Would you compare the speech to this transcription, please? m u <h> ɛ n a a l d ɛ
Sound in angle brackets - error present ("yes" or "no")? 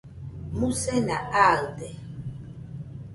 yes